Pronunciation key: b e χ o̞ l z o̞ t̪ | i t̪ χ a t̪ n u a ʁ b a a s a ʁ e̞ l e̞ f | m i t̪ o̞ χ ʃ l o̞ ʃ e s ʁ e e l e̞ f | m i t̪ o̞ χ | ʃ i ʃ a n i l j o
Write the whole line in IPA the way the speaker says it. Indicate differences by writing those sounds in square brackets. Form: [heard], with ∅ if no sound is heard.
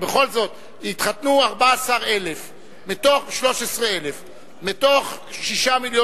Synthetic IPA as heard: b e χ o̞ l z o̞ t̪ | i t̪ χ a t̪ n u a ʁ b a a s a ʁ e̞ l e̞ f | m i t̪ o̞ χ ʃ l o̞ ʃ e s ʁ e e l e̞ f | m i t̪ o̞ χ | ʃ i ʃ a [m] i l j o